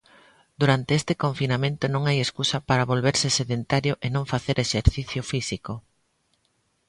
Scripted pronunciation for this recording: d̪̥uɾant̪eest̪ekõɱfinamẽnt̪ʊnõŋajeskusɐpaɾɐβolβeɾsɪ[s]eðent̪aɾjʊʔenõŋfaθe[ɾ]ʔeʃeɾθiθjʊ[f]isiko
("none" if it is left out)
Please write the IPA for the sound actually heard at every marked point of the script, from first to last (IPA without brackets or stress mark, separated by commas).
s, ɾ, f